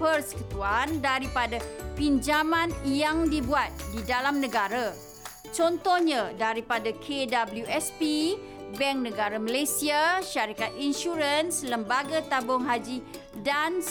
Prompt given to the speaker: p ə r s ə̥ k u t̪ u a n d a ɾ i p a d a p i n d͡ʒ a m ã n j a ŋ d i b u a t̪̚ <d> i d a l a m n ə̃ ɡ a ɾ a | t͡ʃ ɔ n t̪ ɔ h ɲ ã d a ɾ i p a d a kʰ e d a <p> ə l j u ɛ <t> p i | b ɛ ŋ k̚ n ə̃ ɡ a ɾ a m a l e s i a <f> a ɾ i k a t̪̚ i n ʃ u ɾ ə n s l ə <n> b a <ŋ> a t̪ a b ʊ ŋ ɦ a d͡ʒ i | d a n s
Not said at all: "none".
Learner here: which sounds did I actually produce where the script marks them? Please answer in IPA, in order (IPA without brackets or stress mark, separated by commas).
d, b, s, ʃ, m, ɡ